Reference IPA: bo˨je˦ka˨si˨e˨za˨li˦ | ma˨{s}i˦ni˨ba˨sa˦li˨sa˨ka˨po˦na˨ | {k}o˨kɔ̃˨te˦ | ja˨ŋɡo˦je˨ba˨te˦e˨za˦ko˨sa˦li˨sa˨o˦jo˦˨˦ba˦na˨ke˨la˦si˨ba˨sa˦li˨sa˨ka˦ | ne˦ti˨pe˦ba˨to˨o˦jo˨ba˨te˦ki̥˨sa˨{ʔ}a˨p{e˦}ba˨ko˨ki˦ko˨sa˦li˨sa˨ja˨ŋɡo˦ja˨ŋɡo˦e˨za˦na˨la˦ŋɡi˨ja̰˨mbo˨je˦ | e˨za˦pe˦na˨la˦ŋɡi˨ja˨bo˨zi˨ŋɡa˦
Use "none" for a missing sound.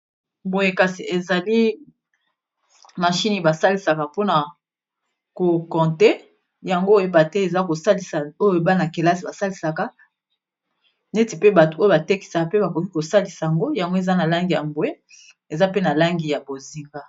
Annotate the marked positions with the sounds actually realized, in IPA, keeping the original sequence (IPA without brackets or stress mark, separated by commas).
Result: ʃ, k, k, e˦